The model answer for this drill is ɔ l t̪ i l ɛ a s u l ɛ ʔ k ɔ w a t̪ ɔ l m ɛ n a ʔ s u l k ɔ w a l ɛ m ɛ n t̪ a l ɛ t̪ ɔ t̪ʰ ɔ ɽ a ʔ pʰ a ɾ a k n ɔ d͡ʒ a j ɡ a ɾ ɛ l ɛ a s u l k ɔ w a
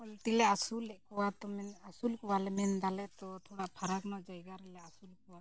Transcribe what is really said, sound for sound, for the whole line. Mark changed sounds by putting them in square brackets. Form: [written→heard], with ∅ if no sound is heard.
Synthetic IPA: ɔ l t̪ i l ɛ a s u l ɛ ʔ k ɔ w a t̪ ɔ [l→∅] m ɛ n a [ʔ→∅] s u l k ɔ w a l ɛ m ɛ n [t̪→d̪] a l ɛ t̪ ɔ t̪ʰ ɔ ɽ a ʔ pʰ a ɾ a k n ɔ d͡ʒ a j ɡ a ɾ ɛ l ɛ a s u l k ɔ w a